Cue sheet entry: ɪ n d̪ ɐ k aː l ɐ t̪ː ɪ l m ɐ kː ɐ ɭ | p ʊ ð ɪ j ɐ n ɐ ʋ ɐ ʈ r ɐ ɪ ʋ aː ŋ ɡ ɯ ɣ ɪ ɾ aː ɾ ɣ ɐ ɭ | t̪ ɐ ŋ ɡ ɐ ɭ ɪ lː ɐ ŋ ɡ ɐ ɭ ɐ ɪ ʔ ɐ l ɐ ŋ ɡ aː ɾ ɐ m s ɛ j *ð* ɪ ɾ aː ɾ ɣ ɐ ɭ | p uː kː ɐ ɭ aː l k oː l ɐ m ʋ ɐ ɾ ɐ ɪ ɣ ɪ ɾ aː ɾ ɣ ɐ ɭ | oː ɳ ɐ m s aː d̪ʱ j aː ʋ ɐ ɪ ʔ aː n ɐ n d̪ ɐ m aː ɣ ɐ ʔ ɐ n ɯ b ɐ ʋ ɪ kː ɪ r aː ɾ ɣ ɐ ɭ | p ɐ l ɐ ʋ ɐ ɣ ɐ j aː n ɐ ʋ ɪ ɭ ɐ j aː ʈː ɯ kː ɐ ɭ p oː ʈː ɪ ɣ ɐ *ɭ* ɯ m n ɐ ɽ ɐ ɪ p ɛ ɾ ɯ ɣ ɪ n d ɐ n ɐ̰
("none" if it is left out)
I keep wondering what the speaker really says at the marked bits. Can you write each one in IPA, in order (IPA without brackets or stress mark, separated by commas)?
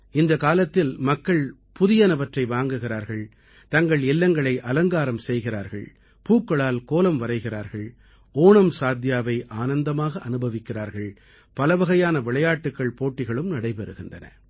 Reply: ɣ, ɭ